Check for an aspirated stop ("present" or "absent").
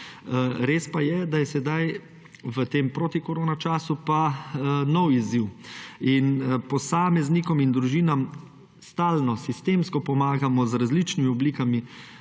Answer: absent